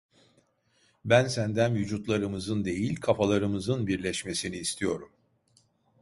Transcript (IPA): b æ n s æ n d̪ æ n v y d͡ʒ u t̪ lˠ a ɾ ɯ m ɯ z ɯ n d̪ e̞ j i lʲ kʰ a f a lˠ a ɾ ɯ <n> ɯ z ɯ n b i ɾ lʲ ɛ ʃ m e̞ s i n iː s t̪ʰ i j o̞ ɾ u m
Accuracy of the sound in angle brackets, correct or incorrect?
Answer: incorrect